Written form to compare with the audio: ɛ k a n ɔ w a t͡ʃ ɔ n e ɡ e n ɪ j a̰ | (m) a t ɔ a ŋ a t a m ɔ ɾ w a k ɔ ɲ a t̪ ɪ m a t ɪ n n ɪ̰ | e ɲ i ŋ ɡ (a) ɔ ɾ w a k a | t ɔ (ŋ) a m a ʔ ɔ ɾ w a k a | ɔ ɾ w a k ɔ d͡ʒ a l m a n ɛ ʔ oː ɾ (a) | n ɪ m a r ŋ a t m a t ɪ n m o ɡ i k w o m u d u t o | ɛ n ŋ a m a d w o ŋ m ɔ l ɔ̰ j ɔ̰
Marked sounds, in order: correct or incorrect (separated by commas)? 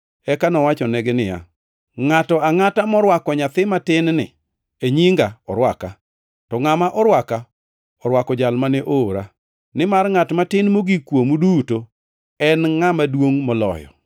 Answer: incorrect, correct, correct, correct